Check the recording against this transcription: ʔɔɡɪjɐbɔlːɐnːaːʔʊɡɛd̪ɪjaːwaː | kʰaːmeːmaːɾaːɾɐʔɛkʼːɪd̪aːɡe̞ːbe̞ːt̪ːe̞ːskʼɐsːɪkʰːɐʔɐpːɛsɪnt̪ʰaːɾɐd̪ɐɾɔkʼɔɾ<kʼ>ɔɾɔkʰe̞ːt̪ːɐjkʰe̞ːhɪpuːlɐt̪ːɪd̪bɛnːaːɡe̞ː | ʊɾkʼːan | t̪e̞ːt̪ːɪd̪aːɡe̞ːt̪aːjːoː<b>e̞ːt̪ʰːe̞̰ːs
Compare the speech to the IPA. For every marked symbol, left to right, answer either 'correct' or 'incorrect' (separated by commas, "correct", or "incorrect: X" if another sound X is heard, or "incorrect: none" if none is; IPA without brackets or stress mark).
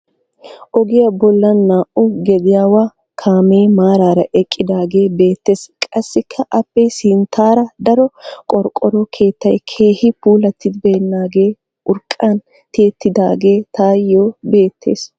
correct, correct